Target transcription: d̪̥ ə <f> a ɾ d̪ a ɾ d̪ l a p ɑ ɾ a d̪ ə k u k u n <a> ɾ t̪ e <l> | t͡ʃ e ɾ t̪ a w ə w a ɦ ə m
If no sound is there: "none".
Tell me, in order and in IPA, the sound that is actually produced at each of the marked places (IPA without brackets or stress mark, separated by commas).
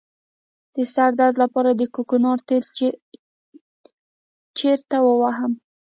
s, ɑ, l